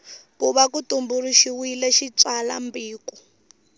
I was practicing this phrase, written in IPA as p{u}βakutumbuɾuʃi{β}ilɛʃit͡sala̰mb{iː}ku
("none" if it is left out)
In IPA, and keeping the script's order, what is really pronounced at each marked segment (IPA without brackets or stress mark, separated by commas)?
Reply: u, w, iː